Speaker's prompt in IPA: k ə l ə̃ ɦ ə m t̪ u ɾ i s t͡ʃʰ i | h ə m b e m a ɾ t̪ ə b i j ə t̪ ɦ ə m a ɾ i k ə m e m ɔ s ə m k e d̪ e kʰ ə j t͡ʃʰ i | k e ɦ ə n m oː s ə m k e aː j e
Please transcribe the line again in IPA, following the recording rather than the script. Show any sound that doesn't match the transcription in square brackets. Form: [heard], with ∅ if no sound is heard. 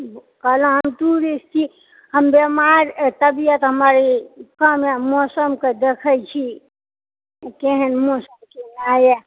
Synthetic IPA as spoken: k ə l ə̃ ɦ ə m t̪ u ɾ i s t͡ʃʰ i | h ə m b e m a ɾ t̪ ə b i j ə t̪ ɦ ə m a ɾ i k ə m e m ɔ s ə m k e d̪ e kʰ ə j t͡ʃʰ i | k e ɦ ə n m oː s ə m k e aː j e